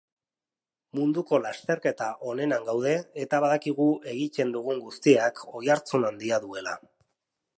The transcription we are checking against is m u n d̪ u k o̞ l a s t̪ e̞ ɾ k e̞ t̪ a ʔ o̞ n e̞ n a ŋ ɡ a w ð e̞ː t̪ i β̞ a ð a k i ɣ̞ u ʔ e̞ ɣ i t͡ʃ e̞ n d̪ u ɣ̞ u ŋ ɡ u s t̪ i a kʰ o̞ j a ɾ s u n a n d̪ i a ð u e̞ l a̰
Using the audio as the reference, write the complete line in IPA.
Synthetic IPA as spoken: m u n d̪ u k o̞ l a s t̪ e̞ ɾ k e̞ t̪ a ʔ o̞ n e̞ n a ŋ ɡ a w ð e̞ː t̪ a β̞ a ð a k i ɣ̞ u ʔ e̞ ɣ i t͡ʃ e̞ n d̪ u ɣ̞ u ŋ ɡ u s t̪ i a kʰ o̞ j a ɾ t͡s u n a n d̪ i a ð u e̞ l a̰

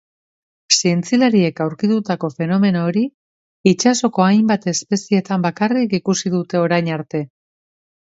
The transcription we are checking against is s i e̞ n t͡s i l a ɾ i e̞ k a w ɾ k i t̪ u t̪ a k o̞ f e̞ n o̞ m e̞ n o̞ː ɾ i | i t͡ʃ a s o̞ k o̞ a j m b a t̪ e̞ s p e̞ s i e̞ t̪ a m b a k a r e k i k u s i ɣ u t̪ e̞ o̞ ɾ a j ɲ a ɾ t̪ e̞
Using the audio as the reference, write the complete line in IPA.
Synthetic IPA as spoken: s i e̞ n t͡s i l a ɾ i e̞ k a w ɾ k i t̪ u t̪ a k o̞ f e̞ n o̞ m e̞ n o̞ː ɾ i | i t͡ʃ a s o̞ k o̞ a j m b a t̪ e̞ s p e̞ s i e̞ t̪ a m b a k a r i k i k u s i ð u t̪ e̞ o̞ ɾ a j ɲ a ɾ t̪ e̞

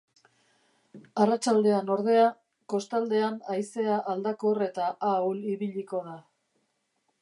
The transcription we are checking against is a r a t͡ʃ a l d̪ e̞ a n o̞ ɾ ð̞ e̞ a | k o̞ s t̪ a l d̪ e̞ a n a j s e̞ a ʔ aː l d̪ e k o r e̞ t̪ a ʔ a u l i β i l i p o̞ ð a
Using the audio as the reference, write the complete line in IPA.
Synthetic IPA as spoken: a r a t͡ʃ a l d̪ e̞ a n o̞ ɾ ð̞ e̞ a | k o̞ s t̪ a l d̪ e̞ a n a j s e̞ a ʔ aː l d̪ a k o r e̞ t̪ a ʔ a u l i β i ʎ i k o̞ ð a

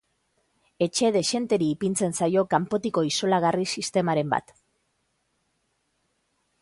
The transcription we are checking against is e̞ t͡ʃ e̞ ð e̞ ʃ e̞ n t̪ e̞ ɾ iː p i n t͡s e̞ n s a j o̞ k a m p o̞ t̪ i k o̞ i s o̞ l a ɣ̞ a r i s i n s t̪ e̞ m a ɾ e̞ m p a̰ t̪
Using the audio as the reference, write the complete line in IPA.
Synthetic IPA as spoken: e̞ t͡ʃ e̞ ð e̞ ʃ e̞ n t̪ e̞ ɾ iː p i n t͡s e̞ n s a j o̞ k a m p o̞ t̪ i k o̞ i s o̞ l a ɣ̞ a r i s i s t̪ e̞ m a ɾ e̞ m b a̰ t̪

